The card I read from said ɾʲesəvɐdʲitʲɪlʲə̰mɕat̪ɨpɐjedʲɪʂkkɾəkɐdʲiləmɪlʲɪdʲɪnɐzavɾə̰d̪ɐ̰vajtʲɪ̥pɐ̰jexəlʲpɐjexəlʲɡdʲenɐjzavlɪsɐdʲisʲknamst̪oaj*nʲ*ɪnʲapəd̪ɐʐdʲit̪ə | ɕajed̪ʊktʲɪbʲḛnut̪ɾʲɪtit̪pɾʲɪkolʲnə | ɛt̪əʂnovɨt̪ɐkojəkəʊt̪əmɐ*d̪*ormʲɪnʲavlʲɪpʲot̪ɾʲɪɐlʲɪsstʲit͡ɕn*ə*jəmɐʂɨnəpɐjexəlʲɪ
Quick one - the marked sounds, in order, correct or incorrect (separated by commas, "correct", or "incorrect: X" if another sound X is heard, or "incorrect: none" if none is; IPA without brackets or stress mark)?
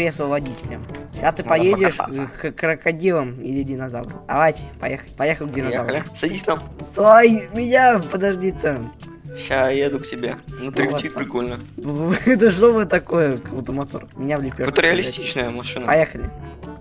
incorrect: mʲ, incorrect: t̪, correct